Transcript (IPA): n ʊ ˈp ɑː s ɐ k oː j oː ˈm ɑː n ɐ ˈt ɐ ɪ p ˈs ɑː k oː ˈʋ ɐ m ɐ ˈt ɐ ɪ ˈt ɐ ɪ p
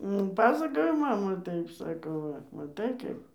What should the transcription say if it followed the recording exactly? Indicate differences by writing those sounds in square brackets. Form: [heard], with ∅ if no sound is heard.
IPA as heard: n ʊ ˈp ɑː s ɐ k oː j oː ˈm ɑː [m] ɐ ˈt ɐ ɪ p ˈs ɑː k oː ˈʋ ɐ m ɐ ˈt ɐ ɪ [ˈk] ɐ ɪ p